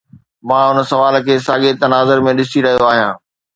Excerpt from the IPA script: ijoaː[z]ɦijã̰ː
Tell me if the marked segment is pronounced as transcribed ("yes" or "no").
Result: no